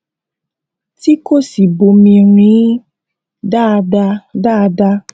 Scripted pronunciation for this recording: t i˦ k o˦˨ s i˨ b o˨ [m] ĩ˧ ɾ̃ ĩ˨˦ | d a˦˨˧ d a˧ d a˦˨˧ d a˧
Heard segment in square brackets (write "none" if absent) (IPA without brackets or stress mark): m